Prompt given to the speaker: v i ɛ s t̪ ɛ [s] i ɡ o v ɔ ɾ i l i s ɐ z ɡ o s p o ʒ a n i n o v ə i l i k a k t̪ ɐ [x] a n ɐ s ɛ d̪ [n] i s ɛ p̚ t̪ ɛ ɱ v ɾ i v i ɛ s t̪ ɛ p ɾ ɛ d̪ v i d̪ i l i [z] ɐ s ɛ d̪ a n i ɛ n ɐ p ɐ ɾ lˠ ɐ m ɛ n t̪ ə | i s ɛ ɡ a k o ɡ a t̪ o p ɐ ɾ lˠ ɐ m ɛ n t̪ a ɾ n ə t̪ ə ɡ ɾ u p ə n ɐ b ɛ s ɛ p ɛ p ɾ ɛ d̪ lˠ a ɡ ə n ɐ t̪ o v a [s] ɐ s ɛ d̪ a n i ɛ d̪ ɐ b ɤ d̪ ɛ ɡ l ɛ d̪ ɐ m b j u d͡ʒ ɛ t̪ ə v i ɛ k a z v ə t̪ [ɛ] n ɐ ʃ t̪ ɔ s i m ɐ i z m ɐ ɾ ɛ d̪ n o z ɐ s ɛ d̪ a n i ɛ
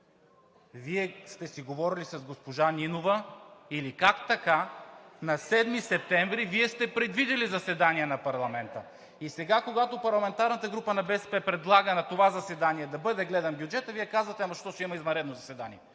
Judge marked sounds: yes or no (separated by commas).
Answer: yes, no, no, yes, no, yes